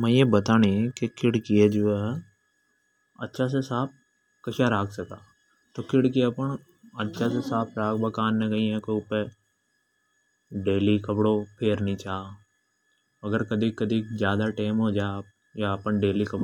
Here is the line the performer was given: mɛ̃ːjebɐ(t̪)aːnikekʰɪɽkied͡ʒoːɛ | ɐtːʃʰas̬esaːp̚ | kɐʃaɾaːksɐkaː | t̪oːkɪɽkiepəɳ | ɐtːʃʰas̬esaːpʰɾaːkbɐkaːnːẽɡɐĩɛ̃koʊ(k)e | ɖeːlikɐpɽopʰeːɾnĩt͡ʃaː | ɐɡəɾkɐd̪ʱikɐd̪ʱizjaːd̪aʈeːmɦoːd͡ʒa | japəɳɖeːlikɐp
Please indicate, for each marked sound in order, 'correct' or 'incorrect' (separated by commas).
correct, incorrect